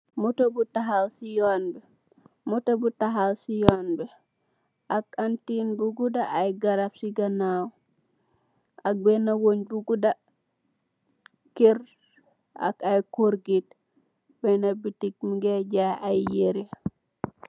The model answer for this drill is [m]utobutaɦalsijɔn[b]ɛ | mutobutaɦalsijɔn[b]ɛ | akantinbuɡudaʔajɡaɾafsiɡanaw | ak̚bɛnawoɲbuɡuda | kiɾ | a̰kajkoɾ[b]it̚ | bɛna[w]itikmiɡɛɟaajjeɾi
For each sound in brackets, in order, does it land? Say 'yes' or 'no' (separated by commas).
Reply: yes, yes, yes, no, no